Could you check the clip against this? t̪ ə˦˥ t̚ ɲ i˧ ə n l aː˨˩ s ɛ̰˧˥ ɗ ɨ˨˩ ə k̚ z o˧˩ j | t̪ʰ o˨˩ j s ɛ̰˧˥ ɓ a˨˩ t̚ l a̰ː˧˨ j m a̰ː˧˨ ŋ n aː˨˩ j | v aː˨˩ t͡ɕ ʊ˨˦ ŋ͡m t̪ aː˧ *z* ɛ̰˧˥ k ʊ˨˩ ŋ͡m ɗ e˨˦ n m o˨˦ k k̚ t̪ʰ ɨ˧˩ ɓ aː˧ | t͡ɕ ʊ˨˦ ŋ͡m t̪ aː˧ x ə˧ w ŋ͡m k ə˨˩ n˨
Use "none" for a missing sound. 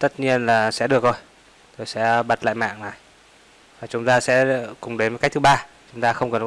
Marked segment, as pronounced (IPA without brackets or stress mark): s